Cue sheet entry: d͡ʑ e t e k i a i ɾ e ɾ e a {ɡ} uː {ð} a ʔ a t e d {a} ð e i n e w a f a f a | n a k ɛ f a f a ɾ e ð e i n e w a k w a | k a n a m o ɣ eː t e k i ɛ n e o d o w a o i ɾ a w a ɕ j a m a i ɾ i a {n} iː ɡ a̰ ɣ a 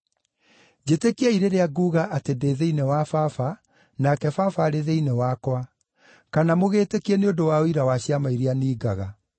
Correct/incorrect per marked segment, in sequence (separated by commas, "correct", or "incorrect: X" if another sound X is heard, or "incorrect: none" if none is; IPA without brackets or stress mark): correct, incorrect: ɣ, incorrect: e, correct